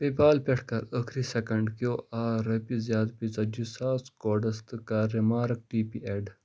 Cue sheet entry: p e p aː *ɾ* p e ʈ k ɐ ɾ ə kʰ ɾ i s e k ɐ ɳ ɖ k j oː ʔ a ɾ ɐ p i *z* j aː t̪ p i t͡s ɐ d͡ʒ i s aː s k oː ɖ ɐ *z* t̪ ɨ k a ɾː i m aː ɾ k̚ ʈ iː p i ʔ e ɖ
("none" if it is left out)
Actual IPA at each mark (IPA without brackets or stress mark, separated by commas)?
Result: l, z, s